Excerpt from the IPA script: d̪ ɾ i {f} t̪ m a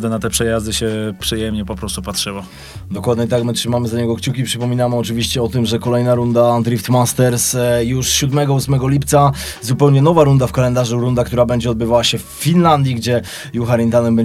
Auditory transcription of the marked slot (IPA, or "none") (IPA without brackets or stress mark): f